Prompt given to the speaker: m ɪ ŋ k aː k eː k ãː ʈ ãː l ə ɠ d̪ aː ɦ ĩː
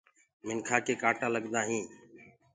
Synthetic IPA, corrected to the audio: m ɪ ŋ kʰ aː k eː k aː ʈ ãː l ə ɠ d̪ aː ɦ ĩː